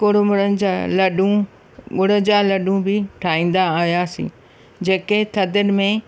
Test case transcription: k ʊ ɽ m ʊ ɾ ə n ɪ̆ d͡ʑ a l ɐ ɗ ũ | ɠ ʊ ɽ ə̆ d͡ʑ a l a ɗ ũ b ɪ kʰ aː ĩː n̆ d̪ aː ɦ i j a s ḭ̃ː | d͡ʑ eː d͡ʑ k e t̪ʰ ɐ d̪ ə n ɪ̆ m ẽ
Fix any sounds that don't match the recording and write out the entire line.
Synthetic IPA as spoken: k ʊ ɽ m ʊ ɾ ə n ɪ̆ d͡ʑ a l ɐ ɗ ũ | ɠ ʊ ɽ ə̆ d͡ʑ a l ɐ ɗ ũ b ɪ ʈʰ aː ĩː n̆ d̪ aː ɦ i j a s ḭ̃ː | d͡ʑ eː k e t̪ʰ ɐ d̪ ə n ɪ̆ m ẽ